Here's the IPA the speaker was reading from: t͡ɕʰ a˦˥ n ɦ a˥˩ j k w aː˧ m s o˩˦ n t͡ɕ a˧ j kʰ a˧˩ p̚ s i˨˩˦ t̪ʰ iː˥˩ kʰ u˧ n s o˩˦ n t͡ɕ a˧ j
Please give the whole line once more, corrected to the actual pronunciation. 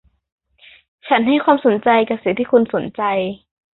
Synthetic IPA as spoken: t͡ɕʰ a˦˥ n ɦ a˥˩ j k w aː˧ m s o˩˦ n t͡ɕ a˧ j k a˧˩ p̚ s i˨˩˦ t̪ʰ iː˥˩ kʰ u˧ n s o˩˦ n t͡ɕ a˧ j